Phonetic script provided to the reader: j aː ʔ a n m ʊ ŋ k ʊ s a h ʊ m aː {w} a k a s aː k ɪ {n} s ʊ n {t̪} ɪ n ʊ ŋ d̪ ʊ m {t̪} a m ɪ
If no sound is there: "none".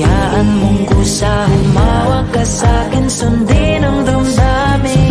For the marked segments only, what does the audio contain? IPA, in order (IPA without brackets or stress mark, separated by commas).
w, n, d̪, d̪